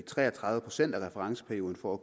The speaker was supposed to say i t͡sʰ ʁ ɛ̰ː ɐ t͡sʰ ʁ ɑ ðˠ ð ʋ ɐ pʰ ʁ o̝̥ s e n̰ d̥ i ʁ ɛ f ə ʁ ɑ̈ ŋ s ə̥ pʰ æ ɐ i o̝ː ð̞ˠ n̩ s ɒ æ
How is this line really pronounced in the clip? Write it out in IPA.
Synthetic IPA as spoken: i t͡sʰ ʁ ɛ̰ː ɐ t͡sʰ ʁ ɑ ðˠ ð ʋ ə pʰ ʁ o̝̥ s e n̰ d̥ æ ʁ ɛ f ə ʁ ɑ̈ ŋ s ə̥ pʰ æ ɐ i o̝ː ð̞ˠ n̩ f ɒ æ